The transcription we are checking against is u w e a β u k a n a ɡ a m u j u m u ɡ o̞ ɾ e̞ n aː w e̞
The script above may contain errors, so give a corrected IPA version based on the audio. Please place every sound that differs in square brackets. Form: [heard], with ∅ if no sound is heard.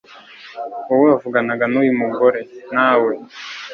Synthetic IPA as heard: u w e a [v] u [ɡ] a n a ɡ a [n] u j u m u ɡ o̞ ɾ e̞ n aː w e̞